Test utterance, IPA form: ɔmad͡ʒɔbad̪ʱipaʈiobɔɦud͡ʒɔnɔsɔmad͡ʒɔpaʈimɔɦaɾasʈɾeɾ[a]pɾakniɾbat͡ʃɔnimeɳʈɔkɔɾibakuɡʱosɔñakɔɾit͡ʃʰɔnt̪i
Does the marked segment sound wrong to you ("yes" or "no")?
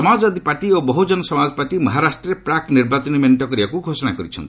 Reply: yes